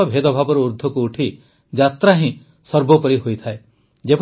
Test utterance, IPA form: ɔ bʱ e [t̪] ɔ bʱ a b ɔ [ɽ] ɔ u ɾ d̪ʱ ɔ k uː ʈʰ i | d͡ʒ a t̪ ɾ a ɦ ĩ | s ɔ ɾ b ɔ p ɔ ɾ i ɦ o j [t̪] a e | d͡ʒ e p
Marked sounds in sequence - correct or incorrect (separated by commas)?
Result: incorrect, incorrect, incorrect